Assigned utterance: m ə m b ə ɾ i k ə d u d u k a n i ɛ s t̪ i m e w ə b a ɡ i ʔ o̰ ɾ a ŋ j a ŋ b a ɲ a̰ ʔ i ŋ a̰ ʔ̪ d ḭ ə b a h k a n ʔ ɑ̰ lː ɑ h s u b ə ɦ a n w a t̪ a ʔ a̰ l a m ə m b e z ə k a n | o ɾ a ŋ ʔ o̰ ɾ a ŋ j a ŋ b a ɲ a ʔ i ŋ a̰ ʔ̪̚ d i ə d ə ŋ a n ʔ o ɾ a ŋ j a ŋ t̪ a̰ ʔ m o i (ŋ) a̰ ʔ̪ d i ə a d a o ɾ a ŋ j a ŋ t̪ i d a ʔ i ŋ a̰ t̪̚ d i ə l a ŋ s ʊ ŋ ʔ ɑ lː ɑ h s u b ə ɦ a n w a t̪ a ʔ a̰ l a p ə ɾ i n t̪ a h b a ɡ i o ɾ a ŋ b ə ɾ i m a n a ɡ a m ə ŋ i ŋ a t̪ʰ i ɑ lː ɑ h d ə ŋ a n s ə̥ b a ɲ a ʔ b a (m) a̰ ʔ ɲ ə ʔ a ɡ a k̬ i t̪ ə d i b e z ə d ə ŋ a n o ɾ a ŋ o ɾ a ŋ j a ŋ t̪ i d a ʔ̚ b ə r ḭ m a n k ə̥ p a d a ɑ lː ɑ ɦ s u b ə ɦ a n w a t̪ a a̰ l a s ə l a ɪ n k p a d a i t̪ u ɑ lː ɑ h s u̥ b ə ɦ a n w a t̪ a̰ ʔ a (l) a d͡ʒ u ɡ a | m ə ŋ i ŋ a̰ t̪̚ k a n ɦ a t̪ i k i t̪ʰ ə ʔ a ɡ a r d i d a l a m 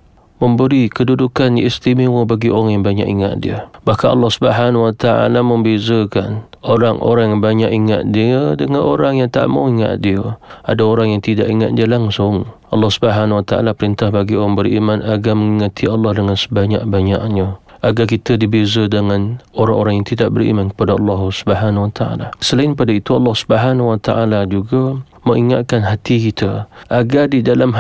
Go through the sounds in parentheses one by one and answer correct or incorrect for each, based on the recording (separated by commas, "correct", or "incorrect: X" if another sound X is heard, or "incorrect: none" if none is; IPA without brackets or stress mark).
correct, incorrect: ɲ, correct